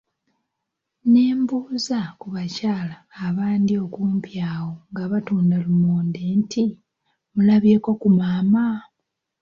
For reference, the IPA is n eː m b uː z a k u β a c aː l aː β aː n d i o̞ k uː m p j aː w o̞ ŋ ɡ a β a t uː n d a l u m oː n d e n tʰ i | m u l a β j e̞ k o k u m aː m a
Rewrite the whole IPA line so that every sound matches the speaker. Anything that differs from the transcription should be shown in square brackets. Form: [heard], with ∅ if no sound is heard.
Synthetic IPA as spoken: n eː m b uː z a k u β a c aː l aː β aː n d i o̞ k uː m p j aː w o̞ ŋ ɡ a β a t uː n d a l u m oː n d e n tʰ i | m u l a β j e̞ k o k u m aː m a